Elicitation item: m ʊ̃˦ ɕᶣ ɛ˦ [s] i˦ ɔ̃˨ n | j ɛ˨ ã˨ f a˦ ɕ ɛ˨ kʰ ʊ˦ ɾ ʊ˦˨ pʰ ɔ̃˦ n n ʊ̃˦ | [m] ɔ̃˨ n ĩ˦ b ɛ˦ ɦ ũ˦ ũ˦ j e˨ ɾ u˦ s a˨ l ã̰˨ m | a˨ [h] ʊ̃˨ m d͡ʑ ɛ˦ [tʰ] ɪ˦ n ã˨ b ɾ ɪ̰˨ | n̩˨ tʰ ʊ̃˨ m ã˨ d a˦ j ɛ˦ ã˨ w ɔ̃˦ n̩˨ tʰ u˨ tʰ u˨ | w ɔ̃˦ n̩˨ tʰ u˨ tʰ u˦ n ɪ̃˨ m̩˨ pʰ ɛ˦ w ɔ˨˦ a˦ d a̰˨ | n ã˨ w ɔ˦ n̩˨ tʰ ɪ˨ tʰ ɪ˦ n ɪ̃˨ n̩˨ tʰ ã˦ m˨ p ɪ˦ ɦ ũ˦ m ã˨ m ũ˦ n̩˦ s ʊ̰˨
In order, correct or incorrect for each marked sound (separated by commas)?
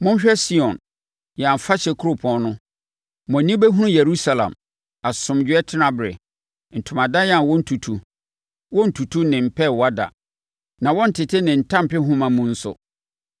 correct, correct, incorrect, correct